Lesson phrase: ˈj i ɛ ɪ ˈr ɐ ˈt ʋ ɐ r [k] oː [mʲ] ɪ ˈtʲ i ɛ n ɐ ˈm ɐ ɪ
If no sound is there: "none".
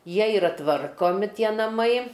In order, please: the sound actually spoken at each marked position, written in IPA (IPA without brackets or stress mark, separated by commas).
k, mʲ